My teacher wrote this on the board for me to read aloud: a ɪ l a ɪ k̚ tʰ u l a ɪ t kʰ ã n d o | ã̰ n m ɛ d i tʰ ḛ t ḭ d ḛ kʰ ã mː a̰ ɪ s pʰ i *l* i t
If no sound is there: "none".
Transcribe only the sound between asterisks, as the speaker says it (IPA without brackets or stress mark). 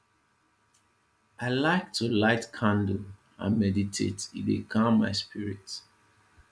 ɹ